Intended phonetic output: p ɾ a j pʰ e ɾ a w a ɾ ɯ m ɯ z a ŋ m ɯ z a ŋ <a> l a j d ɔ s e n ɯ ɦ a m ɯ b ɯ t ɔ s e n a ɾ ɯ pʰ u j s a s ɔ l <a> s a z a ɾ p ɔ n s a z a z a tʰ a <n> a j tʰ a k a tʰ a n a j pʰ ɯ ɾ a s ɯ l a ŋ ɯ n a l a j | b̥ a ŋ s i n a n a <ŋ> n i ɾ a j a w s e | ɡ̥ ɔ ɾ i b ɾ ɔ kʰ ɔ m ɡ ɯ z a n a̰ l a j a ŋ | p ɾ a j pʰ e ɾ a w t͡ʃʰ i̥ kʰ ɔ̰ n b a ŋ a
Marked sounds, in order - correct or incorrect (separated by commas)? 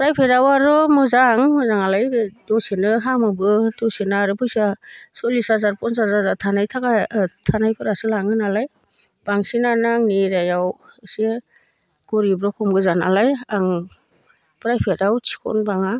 correct, incorrect, correct, correct